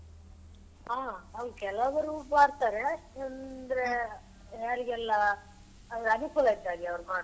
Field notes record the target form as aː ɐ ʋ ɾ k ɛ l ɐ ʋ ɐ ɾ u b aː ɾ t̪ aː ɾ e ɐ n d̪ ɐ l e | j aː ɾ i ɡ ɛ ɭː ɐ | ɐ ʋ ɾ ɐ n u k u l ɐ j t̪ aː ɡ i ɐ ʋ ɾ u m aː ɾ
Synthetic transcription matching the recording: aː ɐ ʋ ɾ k ɛ l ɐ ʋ ɐ ɾ u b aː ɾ t̪ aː ɾ e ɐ n d̪ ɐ ɾ e | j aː ɾ i ɡ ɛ lː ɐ | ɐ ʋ ɾ ɐ n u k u l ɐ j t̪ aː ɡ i ɐ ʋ ɾ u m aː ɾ